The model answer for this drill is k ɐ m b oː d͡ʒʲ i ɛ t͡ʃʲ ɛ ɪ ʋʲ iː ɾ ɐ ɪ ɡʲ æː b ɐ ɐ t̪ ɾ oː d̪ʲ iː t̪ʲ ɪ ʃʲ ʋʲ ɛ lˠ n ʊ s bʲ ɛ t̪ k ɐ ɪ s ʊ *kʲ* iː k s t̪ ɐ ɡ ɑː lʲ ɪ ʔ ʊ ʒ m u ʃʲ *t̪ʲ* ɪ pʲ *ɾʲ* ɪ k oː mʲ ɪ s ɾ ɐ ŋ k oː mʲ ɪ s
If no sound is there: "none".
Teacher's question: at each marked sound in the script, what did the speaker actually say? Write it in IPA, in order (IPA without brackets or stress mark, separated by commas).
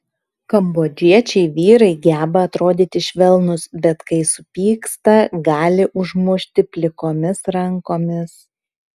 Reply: pʲ, t̪ʲ, lʲ